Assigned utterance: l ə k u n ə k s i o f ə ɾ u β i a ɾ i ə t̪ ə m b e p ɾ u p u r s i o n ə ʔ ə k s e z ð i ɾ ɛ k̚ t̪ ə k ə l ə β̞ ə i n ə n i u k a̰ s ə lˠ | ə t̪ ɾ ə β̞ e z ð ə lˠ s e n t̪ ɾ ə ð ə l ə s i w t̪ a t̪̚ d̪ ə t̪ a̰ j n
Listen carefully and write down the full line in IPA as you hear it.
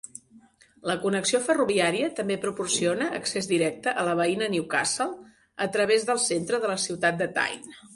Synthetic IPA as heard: l ə k u n ə k s i o f ə r u β i a ɾ i ə t̪ ə m b e p ɾ u p u r s i o n ə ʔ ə k s e z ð i ɾ ɛ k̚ t̪ ə ʔ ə l ə β̞ ə i n ə n i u k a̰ s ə lˠ | ə t̪ ɾ ə β̞ e z ð ə lˠ s e n t̪ ɾ ə ð ə l ə s i w t̪ a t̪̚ d̪ ə t̪ a̰ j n